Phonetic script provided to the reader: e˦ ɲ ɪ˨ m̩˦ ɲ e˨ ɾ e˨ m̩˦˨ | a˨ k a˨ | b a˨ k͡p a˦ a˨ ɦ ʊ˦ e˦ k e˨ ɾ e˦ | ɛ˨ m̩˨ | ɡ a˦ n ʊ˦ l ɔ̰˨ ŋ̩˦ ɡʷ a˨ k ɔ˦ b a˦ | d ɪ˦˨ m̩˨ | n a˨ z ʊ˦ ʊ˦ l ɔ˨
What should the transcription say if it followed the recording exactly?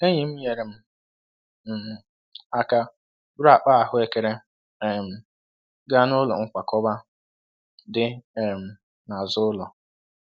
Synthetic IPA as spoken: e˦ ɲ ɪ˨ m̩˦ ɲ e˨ ɾ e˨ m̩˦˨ | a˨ k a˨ | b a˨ k͡p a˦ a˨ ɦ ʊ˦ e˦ k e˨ ɾ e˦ | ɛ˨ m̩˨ | ɡ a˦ n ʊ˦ l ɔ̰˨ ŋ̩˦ kʷ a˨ k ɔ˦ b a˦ | d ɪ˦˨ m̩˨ | n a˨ z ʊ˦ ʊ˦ l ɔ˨

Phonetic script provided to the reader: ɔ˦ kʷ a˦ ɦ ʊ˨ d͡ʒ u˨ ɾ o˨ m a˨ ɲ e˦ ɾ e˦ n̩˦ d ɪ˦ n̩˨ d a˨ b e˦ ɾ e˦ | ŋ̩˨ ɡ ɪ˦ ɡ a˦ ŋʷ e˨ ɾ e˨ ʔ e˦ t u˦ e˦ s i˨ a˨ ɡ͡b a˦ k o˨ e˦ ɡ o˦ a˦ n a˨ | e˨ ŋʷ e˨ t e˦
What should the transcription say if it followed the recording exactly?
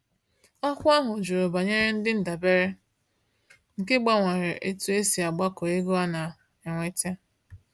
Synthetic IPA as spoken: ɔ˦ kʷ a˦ ɦ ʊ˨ d͡ʒ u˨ ɾ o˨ b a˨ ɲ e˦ ɾ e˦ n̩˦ d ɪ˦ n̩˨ d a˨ b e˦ ɾ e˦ | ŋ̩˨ k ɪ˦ ɡ͡b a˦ ŋʷ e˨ ɾ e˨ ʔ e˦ t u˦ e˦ s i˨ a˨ ɡ͡b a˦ k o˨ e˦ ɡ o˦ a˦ n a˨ | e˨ ŋʷ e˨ t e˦

